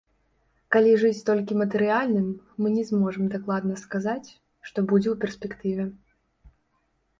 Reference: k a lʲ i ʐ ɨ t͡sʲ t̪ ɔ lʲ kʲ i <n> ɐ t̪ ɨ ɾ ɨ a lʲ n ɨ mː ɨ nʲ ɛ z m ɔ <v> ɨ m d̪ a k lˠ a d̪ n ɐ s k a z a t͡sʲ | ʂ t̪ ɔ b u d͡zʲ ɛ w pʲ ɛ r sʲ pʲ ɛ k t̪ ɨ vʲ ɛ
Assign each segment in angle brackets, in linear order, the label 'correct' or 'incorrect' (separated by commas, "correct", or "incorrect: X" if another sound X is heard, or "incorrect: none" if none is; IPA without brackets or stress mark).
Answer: incorrect: m, incorrect: ʐ